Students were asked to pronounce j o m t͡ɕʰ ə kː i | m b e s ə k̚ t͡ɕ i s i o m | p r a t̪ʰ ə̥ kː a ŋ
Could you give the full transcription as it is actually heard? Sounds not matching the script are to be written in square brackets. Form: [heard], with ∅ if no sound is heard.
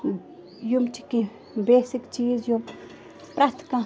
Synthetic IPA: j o m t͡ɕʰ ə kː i | m b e s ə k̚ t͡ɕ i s [j] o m | p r a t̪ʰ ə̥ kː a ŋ